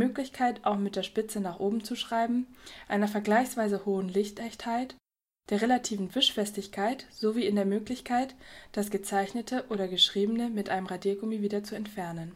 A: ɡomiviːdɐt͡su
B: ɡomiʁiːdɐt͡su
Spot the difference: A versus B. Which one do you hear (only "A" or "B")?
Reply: A